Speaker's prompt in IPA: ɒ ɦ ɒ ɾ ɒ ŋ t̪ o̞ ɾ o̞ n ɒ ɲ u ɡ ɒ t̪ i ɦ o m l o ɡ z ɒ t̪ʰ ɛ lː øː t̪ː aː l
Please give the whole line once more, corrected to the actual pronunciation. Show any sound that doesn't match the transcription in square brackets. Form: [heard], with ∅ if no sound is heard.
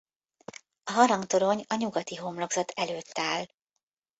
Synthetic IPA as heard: ɒ ɦ ɒ ɾ ɒ ŋ t̪ o̞ ɾ o̞ [ɲ] ɒ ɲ u ɡ ɒ t̪ i ɦ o m l o ɡ z ɒ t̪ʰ ɛ [l] øː t̪ː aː l